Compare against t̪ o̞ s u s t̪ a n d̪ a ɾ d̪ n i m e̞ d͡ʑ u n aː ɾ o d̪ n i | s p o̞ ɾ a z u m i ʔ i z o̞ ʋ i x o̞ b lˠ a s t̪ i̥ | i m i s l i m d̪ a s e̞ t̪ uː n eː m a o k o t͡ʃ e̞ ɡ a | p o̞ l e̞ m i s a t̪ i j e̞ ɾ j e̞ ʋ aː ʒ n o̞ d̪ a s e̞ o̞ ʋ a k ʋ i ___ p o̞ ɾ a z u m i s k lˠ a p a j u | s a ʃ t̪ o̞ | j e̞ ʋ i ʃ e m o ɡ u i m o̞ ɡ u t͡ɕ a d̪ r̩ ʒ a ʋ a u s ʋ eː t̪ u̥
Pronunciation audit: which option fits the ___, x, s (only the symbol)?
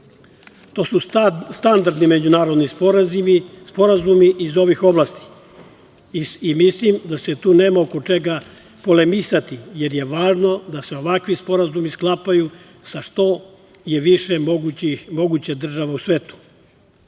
s